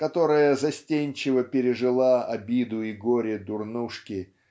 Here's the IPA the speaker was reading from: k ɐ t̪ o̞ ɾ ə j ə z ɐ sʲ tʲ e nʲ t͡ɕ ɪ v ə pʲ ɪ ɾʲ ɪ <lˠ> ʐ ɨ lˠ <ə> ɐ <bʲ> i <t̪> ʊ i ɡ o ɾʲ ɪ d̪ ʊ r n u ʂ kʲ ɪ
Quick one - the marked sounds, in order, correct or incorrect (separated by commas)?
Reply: incorrect, incorrect, correct, incorrect